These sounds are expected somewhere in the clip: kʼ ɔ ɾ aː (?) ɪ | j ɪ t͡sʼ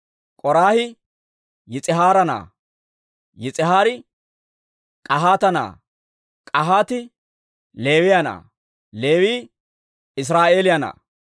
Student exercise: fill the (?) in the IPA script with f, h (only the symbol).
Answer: h